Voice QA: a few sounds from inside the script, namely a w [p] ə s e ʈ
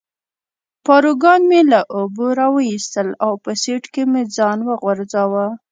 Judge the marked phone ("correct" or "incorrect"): correct